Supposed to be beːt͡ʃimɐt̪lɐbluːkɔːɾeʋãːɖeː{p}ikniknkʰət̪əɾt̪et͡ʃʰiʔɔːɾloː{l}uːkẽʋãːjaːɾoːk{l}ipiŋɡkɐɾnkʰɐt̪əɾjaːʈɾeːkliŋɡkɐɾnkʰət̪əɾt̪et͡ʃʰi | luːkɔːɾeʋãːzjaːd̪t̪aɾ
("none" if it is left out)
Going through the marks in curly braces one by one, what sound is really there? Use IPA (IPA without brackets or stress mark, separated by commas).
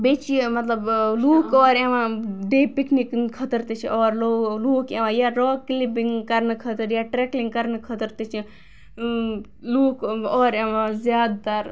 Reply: p, l, l